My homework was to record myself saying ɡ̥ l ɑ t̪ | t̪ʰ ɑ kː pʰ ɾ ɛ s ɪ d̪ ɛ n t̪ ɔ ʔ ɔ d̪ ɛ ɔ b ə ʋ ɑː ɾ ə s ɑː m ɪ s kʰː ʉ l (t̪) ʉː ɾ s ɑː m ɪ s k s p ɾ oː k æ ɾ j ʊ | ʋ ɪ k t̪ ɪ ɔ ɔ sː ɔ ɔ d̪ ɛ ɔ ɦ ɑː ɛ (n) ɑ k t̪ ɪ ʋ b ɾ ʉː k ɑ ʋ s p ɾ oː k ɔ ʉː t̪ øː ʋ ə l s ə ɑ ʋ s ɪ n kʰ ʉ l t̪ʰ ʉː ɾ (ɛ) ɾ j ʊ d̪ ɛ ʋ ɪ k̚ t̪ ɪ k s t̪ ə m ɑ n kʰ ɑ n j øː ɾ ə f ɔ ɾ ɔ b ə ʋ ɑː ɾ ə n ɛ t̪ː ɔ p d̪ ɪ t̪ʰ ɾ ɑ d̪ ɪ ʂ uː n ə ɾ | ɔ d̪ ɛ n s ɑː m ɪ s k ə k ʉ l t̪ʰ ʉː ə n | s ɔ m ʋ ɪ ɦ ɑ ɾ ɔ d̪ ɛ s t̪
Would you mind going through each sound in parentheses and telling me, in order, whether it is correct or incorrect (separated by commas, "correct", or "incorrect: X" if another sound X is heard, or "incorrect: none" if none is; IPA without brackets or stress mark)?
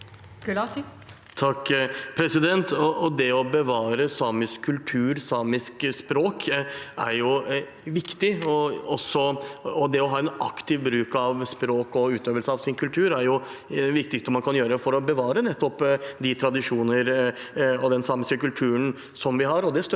incorrect: t̪ʰ, correct, incorrect: æ